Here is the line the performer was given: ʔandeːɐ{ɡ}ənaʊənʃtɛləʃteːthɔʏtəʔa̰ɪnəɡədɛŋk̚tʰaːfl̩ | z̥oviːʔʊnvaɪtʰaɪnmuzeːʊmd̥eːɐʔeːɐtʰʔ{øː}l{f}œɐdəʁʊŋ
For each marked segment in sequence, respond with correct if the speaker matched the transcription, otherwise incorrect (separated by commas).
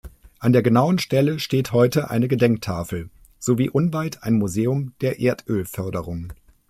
correct, correct, correct